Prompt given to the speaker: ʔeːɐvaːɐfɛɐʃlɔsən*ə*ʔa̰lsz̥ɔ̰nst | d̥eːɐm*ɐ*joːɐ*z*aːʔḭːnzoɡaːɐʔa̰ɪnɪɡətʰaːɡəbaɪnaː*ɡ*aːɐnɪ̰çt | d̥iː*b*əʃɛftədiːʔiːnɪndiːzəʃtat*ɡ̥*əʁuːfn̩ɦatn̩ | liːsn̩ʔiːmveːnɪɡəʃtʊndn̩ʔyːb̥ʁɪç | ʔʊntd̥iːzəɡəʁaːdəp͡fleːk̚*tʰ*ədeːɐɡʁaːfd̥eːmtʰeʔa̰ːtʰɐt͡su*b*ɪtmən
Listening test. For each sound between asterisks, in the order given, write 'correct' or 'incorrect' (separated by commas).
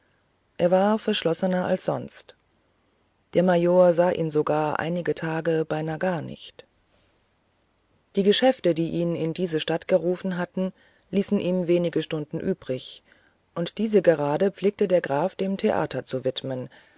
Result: incorrect, incorrect, correct, correct, incorrect, correct, incorrect, incorrect